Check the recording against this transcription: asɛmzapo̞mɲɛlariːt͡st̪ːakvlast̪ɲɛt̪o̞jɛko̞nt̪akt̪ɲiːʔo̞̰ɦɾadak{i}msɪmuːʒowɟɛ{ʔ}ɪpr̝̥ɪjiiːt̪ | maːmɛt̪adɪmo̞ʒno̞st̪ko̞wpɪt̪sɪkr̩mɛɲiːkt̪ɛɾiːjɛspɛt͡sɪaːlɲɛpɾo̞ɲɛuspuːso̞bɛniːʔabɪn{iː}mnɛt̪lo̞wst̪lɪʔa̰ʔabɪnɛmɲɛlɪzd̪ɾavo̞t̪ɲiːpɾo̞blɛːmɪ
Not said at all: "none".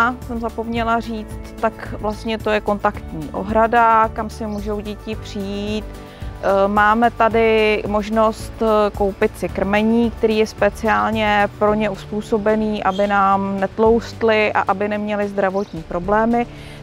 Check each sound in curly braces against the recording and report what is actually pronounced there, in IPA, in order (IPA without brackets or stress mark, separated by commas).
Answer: a, c, aː